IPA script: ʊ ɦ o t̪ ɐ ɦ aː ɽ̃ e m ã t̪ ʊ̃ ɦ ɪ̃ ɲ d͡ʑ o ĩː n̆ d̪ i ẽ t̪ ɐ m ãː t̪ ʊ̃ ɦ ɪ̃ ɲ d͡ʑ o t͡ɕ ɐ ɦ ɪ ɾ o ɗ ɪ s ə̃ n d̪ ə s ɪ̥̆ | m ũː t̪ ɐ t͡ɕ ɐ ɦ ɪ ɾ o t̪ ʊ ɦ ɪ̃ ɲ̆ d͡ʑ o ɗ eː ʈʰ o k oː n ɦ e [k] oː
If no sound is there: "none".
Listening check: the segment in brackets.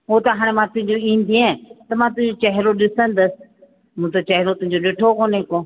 k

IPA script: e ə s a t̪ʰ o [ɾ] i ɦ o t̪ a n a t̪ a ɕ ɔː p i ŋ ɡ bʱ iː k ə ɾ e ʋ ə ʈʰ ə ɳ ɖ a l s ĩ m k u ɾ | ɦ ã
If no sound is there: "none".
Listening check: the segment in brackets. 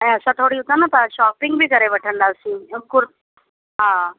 ɽ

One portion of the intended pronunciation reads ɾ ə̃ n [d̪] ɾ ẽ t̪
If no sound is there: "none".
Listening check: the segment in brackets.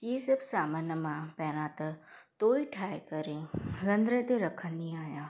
d̪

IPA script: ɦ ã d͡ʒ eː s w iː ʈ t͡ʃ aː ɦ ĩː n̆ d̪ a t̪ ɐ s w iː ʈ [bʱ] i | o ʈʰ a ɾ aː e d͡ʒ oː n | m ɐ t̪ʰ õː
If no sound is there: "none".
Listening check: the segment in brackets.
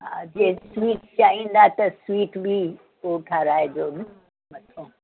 bʱ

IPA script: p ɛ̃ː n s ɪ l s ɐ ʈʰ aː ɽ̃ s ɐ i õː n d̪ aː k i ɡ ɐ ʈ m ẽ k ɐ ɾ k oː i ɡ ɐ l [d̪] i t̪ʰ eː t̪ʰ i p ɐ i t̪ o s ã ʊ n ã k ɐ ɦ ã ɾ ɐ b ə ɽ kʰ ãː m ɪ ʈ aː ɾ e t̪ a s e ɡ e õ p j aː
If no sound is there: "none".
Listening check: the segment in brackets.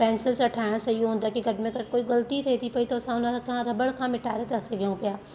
t̪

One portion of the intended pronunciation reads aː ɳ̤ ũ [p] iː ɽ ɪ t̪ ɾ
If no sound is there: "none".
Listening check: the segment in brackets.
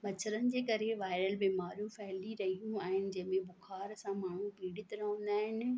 p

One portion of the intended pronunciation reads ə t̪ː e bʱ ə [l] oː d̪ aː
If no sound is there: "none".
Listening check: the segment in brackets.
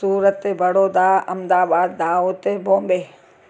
ɽ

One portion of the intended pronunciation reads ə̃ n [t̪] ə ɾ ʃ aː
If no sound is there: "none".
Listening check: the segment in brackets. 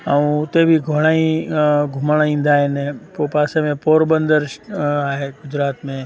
d̪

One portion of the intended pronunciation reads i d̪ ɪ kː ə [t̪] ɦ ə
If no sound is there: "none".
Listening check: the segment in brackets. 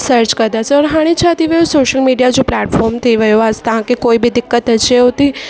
t̪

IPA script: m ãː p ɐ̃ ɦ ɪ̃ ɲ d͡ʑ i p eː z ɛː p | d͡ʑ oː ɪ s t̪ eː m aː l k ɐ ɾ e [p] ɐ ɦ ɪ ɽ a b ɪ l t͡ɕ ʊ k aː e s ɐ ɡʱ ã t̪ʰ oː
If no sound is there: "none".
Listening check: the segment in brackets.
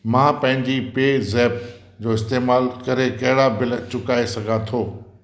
k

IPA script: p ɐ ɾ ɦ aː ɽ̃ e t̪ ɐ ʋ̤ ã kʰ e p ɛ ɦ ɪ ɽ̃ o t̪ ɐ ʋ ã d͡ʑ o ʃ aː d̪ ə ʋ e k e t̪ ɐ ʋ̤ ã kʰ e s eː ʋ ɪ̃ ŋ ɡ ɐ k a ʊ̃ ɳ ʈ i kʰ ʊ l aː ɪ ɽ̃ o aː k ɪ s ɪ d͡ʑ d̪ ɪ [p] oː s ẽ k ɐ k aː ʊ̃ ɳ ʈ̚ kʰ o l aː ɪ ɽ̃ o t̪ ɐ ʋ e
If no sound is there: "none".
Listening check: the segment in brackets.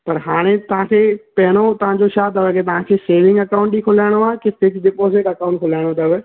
p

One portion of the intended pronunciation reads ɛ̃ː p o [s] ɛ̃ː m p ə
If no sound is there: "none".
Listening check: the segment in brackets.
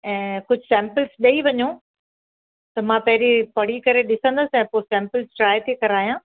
s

